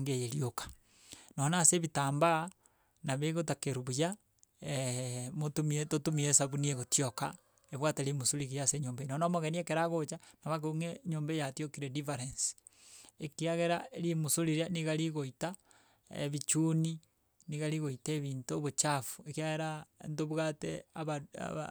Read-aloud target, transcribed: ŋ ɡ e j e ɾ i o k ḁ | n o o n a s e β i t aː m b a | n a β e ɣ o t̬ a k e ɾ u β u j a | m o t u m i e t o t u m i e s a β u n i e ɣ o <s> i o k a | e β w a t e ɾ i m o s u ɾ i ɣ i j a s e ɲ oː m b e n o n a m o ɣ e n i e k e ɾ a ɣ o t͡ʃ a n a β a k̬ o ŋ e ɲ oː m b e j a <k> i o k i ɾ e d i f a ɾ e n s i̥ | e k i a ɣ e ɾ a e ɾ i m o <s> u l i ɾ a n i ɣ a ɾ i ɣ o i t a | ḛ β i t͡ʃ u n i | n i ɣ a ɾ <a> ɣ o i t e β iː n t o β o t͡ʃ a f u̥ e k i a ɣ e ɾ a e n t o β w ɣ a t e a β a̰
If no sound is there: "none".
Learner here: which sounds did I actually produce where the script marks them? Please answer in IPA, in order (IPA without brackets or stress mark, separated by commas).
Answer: t, t, s, i